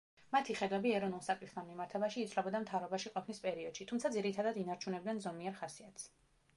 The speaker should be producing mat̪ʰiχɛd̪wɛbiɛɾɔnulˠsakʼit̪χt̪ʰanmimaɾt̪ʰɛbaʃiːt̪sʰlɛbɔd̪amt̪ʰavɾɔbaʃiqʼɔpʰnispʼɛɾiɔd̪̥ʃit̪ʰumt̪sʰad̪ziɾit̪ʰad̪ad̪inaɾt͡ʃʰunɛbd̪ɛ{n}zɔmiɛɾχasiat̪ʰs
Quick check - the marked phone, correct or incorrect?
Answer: correct